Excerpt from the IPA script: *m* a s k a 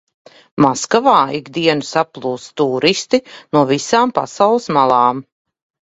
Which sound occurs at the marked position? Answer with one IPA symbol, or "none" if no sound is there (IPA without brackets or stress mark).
m